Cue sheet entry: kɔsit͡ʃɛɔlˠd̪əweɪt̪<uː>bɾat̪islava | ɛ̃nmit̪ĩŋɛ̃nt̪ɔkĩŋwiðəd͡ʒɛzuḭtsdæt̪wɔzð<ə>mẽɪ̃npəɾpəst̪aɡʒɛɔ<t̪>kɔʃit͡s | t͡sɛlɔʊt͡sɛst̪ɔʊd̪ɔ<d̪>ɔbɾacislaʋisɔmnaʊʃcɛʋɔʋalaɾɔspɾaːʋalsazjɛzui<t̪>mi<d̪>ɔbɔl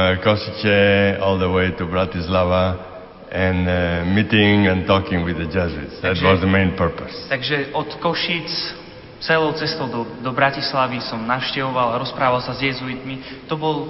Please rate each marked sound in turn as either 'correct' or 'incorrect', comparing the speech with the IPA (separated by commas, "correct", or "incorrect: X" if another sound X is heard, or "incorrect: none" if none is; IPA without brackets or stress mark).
incorrect: u, correct, correct, correct, correct, incorrect: t̪